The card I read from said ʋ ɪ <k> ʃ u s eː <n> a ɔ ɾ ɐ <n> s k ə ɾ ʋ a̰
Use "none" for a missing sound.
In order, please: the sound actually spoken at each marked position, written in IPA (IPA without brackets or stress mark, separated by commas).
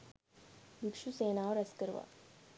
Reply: k, n, none